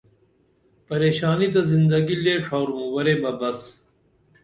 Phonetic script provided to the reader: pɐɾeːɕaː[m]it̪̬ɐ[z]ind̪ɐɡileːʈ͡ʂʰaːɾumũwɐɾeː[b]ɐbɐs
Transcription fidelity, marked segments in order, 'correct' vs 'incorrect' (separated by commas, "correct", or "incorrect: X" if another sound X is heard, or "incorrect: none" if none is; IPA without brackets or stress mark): incorrect: n, correct, correct